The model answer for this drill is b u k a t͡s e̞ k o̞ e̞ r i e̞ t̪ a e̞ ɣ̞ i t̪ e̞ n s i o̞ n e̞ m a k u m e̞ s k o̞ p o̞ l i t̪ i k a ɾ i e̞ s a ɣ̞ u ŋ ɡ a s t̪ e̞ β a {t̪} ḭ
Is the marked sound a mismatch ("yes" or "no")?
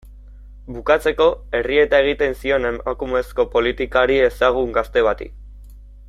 no